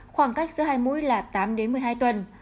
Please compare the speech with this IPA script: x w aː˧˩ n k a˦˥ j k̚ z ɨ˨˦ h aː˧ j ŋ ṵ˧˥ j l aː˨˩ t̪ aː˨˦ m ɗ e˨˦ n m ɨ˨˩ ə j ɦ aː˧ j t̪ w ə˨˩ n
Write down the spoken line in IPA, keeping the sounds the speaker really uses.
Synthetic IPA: x w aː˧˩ ŋ k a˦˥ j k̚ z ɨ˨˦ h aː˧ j m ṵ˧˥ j l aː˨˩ t̪ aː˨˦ m ɗ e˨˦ n m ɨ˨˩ ə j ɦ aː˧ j t̪ w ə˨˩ n

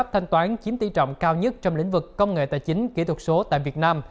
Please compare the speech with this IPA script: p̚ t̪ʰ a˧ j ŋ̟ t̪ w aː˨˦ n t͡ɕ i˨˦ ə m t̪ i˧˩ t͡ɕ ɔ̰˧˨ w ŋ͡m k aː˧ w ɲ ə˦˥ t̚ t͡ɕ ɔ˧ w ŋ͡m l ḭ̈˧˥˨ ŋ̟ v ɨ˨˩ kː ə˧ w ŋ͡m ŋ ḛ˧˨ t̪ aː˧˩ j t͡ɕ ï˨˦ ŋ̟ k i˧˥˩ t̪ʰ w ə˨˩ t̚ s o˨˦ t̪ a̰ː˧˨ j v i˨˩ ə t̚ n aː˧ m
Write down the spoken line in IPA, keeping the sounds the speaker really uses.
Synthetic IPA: p̚ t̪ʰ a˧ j ŋ̟ t̪ w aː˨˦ n t͡ɕ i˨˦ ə m t̪ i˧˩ t͡ɕ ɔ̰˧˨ w ŋ͡m k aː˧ w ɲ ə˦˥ t̚ t͡ɕ ɔ˧ w ŋ͡m l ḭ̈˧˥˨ ŋ̟ v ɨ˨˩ kː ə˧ w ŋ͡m ŋ ḛ˧˨ t̪ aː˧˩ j t͡ɕ ï˨˦ ŋ̟ k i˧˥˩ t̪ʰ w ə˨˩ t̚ s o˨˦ t̪ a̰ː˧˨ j v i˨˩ ə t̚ n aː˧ m

